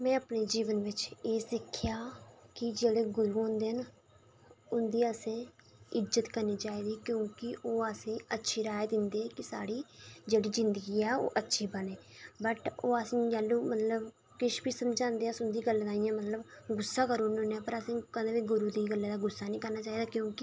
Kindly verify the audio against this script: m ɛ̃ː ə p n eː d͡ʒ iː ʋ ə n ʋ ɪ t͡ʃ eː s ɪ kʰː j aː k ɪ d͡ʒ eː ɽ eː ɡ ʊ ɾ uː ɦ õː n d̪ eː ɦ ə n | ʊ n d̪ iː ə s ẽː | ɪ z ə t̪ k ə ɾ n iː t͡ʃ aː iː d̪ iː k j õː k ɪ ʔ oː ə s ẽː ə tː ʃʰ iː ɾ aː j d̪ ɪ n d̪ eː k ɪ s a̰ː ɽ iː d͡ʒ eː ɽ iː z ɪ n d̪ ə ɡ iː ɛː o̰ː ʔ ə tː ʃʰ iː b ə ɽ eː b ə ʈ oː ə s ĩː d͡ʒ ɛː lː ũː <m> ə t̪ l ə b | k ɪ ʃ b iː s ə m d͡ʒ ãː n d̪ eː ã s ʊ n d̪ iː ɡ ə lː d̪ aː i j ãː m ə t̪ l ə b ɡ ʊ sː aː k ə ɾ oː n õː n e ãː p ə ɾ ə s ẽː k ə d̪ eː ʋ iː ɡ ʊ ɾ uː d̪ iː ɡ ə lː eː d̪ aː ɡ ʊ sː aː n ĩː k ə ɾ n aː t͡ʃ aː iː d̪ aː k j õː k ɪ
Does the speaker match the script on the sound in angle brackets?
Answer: yes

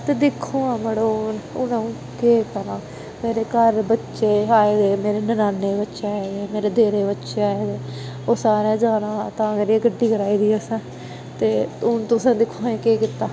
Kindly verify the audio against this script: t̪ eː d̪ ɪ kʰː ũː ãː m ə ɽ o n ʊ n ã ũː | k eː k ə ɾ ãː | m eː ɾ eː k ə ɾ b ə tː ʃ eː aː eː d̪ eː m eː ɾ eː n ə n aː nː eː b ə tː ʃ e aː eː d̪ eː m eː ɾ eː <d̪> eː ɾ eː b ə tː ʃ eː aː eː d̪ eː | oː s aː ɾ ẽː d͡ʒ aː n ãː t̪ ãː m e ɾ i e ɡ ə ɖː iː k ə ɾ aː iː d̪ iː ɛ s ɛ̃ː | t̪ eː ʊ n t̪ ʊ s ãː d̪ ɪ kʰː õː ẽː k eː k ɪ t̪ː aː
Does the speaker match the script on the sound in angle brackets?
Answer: yes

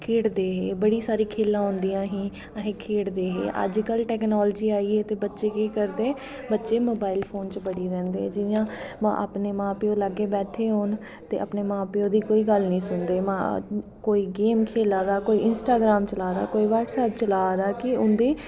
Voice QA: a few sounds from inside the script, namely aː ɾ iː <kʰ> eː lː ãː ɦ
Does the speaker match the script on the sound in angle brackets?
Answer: yes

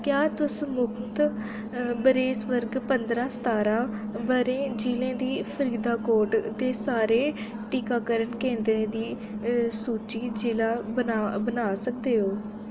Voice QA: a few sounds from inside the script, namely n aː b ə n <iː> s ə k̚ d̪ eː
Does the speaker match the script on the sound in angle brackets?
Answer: no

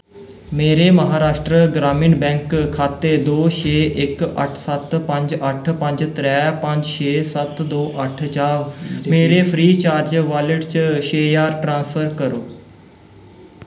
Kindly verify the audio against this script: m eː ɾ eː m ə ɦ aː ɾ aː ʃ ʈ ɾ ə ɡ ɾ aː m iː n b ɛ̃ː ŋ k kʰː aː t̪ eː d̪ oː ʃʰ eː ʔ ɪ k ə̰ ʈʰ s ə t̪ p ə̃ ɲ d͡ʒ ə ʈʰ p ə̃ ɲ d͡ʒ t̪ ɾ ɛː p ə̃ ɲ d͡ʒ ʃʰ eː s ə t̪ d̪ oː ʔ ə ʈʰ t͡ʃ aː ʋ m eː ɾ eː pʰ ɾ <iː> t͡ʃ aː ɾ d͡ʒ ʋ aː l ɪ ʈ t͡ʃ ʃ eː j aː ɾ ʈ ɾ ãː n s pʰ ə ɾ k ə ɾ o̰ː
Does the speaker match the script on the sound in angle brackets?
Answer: yes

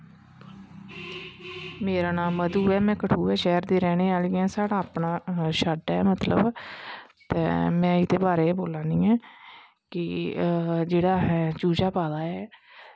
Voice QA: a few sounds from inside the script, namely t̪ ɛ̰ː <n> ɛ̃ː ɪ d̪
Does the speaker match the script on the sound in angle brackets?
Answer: no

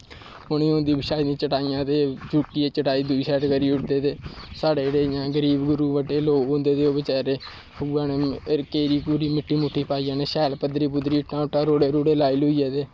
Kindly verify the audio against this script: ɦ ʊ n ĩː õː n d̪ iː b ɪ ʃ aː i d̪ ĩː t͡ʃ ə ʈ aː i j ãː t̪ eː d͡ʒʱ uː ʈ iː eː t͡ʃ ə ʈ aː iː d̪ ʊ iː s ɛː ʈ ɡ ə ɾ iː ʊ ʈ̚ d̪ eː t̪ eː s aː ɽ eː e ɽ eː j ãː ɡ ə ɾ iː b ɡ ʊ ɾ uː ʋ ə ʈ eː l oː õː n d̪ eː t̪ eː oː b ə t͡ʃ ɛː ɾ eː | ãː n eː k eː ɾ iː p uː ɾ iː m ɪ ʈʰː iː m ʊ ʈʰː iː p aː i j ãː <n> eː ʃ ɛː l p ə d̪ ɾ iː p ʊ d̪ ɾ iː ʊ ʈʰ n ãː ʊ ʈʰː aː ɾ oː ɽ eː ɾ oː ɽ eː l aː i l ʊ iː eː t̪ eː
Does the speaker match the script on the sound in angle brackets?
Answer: yes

